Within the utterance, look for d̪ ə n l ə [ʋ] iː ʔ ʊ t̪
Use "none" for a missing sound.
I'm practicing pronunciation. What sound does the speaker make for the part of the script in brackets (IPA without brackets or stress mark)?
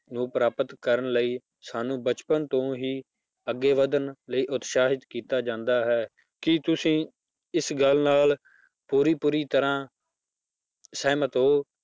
none